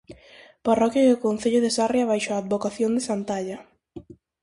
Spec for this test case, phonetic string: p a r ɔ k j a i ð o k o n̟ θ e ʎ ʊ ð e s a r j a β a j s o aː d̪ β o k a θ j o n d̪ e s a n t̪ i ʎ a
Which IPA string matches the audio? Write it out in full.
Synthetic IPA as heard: p a r ɔ k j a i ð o k o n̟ θ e ʎ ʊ ð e s a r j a β a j ʃ o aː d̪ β o k a θ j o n d̪ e s a n t̪ a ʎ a